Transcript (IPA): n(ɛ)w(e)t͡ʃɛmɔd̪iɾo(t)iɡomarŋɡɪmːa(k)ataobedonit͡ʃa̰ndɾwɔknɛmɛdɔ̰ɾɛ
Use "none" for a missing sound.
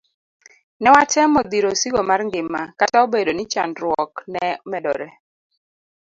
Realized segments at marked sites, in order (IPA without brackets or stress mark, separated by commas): ɛ, a, s, k